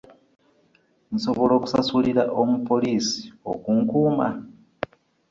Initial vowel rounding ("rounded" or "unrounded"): rounded